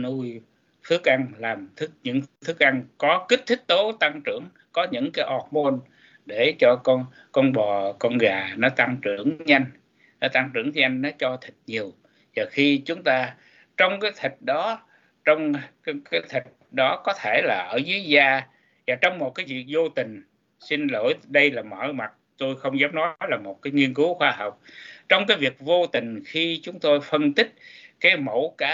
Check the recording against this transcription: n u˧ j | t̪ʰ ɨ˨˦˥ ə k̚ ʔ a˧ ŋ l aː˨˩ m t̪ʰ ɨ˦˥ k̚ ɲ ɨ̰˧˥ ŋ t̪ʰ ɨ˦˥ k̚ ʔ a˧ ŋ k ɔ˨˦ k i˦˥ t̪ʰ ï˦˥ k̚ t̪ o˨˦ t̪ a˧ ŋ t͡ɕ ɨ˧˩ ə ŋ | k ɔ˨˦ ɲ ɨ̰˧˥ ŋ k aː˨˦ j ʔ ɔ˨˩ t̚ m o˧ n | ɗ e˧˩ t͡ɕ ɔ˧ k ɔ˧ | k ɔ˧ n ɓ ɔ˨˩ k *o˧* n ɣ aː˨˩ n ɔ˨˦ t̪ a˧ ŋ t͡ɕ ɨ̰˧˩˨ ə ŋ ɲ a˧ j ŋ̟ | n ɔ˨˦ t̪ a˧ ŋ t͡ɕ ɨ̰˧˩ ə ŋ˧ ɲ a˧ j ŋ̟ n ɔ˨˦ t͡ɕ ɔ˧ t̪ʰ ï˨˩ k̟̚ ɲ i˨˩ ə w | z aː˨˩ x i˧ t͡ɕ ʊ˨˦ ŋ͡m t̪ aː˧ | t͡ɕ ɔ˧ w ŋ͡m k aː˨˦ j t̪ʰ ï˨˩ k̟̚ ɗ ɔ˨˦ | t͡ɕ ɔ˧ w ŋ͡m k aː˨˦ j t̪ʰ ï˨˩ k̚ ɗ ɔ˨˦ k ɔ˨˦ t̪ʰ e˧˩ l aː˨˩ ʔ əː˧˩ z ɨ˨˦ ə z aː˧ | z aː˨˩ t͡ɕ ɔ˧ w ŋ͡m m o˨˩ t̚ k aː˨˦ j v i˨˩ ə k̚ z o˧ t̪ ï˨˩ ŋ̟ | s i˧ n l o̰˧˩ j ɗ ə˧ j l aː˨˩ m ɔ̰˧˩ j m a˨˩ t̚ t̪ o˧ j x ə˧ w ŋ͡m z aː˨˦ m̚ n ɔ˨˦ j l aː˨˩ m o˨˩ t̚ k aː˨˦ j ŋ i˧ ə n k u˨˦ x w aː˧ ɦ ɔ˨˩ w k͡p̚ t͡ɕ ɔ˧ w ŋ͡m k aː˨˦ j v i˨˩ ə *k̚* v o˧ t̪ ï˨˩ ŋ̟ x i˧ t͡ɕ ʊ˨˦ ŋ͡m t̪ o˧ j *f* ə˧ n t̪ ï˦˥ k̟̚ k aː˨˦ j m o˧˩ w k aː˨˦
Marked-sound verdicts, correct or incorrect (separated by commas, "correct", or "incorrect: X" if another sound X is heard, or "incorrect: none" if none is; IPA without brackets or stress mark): incorrect: ɔ˧, correct, correct